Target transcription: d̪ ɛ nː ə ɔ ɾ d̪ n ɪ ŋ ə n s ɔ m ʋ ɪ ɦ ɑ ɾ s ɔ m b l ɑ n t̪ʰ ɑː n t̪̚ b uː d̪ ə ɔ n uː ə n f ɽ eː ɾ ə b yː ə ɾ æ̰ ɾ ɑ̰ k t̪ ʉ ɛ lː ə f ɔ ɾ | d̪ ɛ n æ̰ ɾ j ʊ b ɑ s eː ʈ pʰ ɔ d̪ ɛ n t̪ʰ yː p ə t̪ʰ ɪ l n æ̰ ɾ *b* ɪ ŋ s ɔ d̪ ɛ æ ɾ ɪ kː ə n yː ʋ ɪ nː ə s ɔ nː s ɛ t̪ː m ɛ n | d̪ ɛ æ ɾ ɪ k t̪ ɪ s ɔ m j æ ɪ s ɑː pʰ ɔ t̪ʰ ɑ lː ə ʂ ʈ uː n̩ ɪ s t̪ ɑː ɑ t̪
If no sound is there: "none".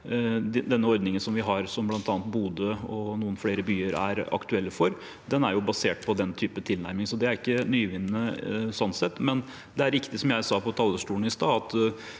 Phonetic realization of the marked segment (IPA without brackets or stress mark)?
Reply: m